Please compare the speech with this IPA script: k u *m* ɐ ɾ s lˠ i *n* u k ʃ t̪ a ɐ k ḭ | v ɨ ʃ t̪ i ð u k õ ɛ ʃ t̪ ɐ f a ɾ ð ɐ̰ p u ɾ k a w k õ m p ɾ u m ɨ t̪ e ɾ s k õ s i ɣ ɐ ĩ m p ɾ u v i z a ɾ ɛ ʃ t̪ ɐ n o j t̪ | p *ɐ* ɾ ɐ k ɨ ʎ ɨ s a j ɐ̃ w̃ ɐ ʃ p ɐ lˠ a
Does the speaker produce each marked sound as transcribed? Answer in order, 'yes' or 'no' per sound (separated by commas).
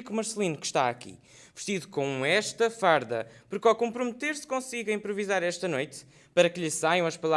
yes, yes, yes